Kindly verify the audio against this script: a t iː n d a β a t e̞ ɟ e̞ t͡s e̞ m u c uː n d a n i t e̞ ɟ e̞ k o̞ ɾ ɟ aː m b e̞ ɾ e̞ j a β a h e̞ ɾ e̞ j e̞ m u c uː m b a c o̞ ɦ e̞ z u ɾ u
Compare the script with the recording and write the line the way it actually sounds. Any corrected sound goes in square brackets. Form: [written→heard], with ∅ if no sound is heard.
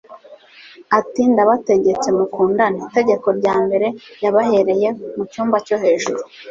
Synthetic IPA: a t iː n d a β a t e̞ ɟ e̞ t͡s e̞ m u [c→k] uː n d a n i t e̞ ɟ e̞ k o̞ ɾ ɟ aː m b e̞ ɾ e̞ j a β a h e̞ ɾ e̞ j e̞ m u c uː m b a c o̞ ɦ e̞ [z→ʒ] u ɾ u